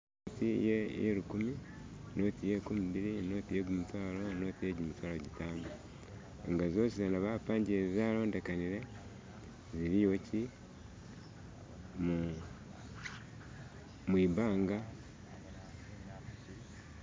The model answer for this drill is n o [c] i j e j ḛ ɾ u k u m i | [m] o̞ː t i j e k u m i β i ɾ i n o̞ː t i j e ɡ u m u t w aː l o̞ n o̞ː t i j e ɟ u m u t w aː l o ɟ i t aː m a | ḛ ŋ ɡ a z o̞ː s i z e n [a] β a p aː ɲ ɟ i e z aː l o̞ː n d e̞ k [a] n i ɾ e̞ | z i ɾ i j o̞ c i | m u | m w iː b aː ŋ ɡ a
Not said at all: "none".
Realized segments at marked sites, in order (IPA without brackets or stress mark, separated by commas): t, n, a, a